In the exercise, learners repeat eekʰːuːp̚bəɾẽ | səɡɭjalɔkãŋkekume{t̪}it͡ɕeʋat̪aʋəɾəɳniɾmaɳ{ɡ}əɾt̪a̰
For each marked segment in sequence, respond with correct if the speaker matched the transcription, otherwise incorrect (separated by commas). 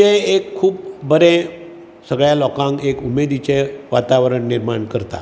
incorrect, incorrect